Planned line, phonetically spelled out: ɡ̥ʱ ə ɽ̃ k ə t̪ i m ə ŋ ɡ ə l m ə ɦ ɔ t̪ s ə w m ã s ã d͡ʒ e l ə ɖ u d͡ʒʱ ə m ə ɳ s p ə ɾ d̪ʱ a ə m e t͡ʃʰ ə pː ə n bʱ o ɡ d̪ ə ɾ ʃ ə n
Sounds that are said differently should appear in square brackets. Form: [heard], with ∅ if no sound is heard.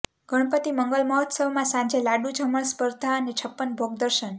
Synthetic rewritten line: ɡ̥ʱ ə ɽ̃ [p] ə t̪ i m ə ŋ ɡ ə l m ə ɦ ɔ t̪ s ə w m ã s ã d͡ʒ e l [a] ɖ u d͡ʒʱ ə m ə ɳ s p ə ɾ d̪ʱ a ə [n] e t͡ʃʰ ə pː ə n bʱ o ɡ d̪ ə ɾ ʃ ə n